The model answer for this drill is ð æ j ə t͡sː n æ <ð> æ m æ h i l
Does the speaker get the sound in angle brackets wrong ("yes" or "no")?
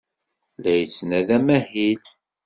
no